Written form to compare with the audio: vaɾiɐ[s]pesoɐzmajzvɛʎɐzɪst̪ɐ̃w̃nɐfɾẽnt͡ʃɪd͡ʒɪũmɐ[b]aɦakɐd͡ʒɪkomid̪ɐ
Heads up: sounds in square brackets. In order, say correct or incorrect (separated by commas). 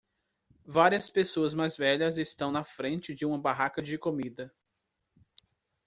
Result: correct, correct